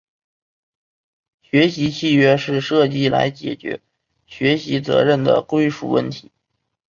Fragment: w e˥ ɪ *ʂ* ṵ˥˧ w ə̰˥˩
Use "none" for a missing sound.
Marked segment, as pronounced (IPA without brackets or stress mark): ʂ